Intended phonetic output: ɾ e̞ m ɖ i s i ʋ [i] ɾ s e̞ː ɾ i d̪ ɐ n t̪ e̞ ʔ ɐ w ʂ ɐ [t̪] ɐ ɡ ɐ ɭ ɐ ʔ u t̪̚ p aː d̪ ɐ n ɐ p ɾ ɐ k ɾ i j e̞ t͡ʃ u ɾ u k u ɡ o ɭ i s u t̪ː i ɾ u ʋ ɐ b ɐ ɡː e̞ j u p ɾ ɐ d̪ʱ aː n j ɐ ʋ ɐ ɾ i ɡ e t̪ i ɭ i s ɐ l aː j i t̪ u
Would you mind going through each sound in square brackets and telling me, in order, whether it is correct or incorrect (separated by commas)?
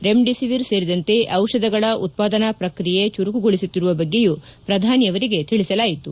correct, incorrect